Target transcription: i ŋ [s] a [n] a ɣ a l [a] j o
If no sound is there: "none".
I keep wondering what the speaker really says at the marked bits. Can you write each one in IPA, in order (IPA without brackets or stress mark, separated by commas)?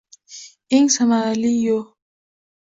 s, m, i